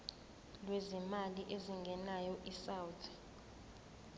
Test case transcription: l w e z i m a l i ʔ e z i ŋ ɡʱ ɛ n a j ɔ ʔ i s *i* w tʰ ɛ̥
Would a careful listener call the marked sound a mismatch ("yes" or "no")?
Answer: yes